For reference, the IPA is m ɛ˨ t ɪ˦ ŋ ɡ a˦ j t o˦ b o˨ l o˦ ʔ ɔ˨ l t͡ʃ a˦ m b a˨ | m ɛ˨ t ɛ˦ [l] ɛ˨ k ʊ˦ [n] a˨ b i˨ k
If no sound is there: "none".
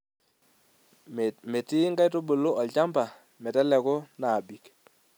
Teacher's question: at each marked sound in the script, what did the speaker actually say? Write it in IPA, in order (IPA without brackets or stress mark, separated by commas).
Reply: l, n